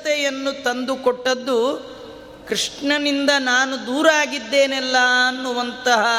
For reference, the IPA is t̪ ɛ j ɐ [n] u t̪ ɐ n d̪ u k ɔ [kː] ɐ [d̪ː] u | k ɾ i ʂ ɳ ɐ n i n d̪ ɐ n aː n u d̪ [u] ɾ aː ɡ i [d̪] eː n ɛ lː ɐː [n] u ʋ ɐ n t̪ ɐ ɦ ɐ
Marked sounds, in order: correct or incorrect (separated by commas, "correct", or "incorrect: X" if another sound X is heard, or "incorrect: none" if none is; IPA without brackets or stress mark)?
incorrect: nː, incorrect: ʈː, correct, incorrect: uː, incorrect: d̪ː, incorrect: nː